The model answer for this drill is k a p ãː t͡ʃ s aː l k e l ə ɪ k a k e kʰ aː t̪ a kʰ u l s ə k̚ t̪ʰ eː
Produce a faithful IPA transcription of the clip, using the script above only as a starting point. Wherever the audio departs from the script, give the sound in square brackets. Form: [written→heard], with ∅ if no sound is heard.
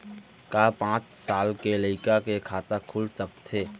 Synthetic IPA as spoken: k a p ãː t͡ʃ s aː l k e l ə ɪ k a k e kʰ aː t̪ a kʰ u l s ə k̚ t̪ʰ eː